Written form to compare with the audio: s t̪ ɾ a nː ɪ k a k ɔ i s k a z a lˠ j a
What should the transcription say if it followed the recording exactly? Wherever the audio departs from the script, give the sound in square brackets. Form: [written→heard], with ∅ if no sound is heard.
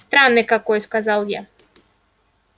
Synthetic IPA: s t̪ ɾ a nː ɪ k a k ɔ [i→j] s k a z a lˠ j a